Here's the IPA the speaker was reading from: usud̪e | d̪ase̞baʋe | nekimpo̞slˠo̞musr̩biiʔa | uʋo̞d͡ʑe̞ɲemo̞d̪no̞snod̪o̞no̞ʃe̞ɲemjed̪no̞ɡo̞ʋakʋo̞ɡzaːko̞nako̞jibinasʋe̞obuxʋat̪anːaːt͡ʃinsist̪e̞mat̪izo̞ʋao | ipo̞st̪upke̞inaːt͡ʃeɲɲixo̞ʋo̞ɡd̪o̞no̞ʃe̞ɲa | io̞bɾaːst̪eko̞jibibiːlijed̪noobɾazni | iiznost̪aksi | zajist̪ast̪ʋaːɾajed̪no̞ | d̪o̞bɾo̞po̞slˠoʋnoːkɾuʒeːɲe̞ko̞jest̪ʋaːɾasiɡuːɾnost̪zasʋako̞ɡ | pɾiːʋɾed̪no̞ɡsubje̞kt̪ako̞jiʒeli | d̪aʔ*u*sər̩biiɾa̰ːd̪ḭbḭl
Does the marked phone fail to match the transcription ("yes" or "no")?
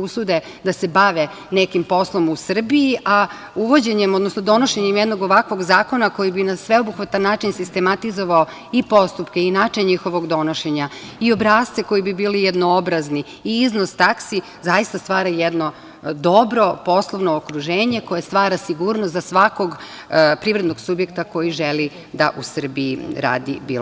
no